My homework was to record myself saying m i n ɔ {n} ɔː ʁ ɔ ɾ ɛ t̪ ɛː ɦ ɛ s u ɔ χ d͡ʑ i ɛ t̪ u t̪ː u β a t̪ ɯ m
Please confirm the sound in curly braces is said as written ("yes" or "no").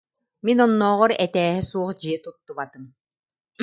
no